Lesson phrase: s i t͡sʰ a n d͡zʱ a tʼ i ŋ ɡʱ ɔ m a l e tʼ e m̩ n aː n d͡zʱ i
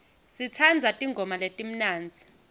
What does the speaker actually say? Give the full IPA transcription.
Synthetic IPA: s i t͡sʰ a n d͡zʱ a tʼ i ŋ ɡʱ ɔ m a l e tʼ i m̩ n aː n d͡zʱ i